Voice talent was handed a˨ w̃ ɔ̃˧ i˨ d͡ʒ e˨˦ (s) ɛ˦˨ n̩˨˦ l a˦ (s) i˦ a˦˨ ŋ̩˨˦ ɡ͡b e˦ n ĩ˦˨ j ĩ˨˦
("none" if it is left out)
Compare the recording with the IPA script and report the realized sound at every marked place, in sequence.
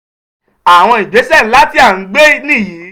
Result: s, t

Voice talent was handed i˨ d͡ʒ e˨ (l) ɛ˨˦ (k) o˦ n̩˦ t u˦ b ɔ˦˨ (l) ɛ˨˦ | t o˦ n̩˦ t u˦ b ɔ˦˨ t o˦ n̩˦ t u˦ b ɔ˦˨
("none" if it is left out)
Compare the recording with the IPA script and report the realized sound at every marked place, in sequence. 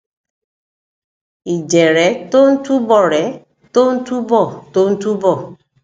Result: ɾ, t, ɾ

